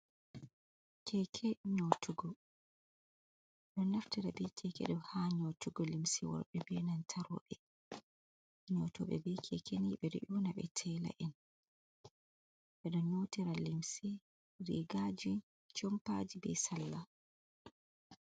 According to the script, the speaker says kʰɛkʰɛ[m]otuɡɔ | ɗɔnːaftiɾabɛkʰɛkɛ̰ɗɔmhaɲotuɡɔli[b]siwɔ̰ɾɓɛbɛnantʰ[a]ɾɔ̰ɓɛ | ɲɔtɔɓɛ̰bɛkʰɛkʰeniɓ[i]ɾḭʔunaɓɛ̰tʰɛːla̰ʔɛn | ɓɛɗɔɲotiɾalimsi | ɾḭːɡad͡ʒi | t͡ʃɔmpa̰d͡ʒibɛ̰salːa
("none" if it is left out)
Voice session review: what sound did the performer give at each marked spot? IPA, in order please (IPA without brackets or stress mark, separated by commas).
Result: ɲ, m, a, ɛ